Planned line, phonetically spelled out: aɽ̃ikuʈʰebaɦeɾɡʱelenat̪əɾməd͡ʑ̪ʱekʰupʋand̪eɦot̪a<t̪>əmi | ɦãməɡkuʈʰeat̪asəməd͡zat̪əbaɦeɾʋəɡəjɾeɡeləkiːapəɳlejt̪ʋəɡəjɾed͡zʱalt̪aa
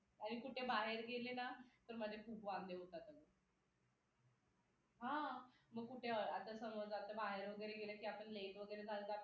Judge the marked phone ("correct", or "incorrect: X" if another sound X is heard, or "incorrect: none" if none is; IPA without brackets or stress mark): correct